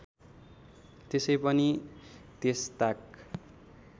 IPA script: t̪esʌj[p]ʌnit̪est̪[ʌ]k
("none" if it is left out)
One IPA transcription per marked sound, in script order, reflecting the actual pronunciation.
p, a

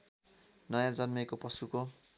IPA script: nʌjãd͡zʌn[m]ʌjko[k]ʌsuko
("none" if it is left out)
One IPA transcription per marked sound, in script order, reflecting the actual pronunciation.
m, p

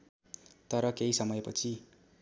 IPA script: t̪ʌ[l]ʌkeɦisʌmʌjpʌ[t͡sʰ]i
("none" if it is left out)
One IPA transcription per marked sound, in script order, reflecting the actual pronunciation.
ɾ, t͡sʰ

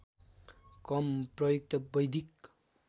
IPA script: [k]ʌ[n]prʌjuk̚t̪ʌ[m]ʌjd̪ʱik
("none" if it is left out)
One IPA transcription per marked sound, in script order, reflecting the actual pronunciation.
k, m, b

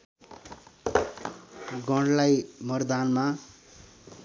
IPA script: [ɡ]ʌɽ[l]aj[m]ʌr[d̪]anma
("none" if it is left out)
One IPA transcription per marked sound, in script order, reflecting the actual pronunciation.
ɡ, l, m, d̪

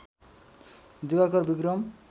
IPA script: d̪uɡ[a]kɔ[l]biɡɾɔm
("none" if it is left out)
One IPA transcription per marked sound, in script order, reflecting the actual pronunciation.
a, ɾ

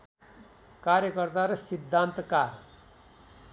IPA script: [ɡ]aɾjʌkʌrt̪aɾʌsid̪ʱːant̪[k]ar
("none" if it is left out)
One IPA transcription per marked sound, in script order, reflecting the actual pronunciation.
k, k

